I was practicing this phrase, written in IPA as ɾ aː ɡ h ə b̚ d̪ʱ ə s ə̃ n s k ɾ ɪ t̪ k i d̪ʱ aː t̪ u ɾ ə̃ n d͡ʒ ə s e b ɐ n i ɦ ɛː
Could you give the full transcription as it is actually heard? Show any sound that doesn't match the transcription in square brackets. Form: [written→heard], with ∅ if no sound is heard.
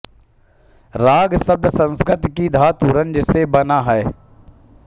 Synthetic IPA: ɾ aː ɡ [h→s] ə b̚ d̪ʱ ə s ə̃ n s k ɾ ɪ t̪ k i d̪ʱ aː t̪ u ɾ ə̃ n d͡ʒ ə s e b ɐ n [i→a] ɦ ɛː